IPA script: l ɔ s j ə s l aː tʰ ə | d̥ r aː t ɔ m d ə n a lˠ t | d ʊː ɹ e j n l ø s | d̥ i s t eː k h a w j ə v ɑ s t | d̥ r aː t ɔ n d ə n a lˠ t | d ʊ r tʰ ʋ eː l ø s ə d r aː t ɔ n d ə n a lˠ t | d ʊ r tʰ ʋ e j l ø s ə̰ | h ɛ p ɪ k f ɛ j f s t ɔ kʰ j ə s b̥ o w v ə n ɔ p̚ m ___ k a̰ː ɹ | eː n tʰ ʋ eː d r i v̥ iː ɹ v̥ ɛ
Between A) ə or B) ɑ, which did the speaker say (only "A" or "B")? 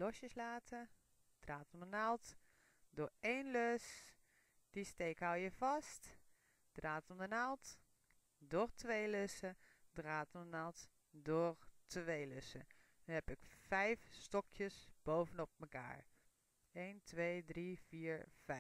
A